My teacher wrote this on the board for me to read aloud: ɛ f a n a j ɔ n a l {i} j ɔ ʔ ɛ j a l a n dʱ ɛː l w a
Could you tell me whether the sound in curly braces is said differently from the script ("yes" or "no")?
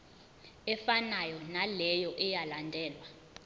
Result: yes